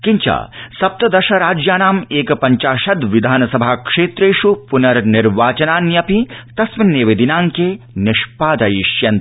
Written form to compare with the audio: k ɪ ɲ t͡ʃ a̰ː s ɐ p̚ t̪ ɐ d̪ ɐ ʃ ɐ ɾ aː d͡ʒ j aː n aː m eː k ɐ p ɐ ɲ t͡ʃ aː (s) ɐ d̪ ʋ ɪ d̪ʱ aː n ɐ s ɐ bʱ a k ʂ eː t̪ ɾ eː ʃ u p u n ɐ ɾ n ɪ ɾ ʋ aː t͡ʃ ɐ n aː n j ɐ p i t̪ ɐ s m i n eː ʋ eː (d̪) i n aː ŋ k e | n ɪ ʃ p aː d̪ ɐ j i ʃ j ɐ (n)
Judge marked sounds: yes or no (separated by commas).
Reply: no, yes, yes